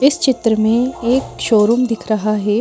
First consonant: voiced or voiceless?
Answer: voiceless